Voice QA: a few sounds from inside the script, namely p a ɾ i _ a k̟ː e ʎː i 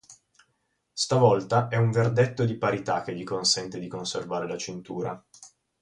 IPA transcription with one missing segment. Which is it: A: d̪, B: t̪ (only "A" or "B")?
B